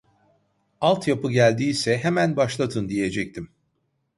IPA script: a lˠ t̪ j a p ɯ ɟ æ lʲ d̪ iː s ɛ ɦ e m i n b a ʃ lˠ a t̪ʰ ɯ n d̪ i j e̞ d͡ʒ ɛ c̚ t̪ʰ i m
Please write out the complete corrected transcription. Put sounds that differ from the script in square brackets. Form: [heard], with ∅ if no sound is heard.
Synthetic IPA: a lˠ t̪ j a p ɯ ɟ æ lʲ d̪ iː s ɛ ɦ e m [æ] n b a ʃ lˠ a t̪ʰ ɯ n d̪ i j e̞ d͡ʒ ɛ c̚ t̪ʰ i m